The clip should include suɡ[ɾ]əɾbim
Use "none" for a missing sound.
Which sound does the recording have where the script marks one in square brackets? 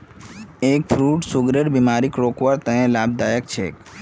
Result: ɾ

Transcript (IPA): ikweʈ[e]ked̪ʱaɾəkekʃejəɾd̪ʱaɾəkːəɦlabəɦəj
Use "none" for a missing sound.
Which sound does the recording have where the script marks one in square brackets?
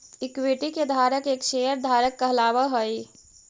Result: i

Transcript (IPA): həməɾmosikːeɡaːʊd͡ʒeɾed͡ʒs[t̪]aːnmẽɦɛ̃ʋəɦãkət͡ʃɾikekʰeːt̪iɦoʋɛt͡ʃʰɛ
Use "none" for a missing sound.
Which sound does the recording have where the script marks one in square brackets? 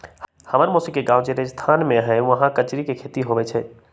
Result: t̪ʰ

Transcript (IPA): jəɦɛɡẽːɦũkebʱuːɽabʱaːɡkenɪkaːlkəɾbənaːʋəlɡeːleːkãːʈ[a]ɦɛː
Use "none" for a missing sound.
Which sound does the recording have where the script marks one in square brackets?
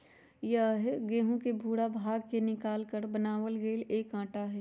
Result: a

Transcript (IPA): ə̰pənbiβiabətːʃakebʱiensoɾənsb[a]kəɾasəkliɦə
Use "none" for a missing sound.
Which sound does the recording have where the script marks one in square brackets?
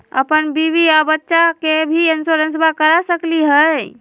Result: a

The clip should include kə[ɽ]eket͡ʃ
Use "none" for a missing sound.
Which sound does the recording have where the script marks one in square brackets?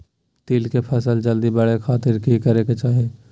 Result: ɾ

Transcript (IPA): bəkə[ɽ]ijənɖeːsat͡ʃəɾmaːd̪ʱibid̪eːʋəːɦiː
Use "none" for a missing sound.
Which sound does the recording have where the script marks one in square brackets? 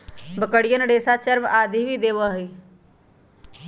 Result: ɽ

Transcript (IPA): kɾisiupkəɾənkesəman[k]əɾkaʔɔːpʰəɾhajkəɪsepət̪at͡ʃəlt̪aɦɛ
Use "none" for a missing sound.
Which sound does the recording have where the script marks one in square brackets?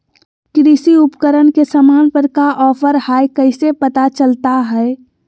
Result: p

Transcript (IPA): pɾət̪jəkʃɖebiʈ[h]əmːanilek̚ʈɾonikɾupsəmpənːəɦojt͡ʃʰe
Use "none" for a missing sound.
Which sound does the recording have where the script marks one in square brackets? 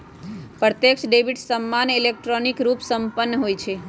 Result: s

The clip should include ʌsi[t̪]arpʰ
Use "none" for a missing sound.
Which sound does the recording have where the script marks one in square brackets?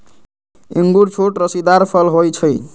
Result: d̪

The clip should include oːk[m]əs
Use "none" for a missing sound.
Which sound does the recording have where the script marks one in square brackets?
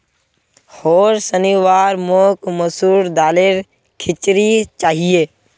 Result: m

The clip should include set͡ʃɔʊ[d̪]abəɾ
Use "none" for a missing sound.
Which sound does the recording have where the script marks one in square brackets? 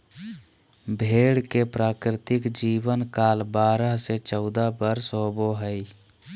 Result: d̪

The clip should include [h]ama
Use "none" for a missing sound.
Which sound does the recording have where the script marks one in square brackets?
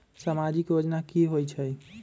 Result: s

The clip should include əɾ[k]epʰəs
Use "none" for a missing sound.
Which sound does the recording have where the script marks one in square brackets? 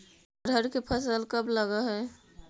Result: k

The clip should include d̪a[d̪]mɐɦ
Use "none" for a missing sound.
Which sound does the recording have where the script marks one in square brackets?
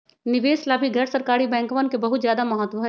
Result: none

